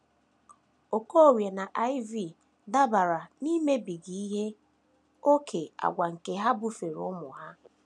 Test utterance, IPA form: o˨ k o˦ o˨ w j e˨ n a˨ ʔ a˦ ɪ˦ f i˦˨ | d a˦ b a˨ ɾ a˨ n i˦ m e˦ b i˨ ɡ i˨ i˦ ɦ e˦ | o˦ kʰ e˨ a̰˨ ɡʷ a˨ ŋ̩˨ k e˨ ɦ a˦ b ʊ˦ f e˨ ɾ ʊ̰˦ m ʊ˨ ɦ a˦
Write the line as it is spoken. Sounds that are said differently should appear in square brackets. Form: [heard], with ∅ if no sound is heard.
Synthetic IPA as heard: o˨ k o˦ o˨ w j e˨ n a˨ ʔ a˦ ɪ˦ [v] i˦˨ | d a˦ b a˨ ɾ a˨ n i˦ m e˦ b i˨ ɡ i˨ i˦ ɦ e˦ | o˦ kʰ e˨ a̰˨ ɡʷ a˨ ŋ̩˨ k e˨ ɦ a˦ b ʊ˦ f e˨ ɾ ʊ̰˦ m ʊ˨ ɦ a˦

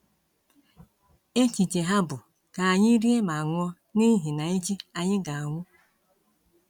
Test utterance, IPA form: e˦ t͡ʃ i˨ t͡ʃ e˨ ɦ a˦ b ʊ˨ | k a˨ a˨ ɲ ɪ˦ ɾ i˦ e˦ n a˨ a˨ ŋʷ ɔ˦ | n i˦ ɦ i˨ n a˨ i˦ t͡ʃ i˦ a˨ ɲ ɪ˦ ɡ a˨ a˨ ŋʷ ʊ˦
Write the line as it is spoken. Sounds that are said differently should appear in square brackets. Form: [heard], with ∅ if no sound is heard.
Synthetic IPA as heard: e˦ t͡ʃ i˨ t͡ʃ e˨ ɦ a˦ b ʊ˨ | k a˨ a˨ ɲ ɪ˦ ɾ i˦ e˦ [m] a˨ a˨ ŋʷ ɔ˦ | n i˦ ɦ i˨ n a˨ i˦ t͡ʃ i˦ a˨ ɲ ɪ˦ ɡ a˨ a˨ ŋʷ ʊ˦

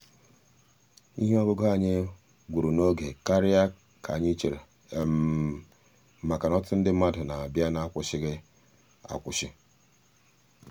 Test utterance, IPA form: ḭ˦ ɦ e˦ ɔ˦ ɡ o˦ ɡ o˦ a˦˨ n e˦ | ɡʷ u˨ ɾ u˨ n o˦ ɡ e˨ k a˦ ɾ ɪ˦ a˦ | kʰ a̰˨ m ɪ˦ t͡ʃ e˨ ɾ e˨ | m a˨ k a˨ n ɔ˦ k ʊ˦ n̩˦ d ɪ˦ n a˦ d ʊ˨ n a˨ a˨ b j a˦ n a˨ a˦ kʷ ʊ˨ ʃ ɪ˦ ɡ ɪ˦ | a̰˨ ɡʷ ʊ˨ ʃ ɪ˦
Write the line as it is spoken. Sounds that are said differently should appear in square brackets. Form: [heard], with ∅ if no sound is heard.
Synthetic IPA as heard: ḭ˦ ɦ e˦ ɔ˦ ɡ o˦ ɡ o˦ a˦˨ [ɲ] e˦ | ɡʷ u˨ ɾ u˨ n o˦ ɡ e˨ k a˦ ɾ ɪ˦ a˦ | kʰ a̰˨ [ɲ] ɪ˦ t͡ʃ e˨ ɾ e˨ | m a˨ k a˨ n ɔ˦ [t] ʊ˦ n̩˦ d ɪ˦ [m] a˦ d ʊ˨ n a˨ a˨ b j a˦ n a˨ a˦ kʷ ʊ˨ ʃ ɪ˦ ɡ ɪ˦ | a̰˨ [kʷ] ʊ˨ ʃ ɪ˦

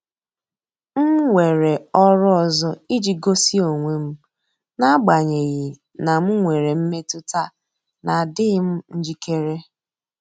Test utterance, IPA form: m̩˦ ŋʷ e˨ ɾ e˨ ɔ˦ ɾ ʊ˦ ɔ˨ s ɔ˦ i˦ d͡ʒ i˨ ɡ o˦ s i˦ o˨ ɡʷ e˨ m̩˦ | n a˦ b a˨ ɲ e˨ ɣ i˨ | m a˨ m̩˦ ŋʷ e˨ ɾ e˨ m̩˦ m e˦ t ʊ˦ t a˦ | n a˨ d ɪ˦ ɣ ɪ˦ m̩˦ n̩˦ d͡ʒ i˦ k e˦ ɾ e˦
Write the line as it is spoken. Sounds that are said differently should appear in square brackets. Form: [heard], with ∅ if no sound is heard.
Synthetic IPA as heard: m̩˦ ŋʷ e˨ ɾ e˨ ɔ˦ ɾ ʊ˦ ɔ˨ [z] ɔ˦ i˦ d͡ʒ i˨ ɡ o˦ s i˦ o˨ [ŋʷ] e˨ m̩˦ | n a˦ [ɡ͡b] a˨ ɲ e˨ ɣ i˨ | [n] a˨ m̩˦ ŋʷ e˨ ɾ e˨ m̩˦ m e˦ t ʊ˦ t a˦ | n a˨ d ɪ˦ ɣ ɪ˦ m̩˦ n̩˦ d͡ʒ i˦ k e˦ ɾ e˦

